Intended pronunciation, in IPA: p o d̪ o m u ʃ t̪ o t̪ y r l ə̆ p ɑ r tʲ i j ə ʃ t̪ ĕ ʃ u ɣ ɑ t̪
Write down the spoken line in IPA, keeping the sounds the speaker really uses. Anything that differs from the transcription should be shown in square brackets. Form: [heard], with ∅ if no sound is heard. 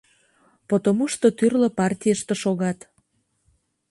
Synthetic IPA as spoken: p o [t̪] o m u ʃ t̪ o t̪ y r l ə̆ p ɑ r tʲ i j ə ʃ t̪ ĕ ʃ [o] ɣ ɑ t̪